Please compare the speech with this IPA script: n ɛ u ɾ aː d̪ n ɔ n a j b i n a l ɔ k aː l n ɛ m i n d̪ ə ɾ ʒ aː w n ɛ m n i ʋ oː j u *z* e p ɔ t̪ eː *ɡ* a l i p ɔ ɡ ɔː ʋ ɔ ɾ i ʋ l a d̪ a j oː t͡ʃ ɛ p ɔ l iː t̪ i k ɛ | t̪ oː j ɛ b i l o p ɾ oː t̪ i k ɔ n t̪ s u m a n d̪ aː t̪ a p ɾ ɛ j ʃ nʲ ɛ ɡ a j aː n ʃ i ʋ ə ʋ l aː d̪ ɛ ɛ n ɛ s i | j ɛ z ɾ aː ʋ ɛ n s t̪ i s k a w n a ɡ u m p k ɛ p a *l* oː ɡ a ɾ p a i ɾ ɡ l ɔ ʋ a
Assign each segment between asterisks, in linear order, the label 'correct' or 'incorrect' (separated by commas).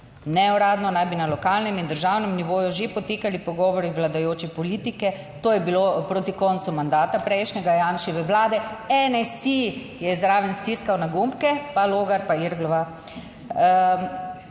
incorrect, incorrect, correct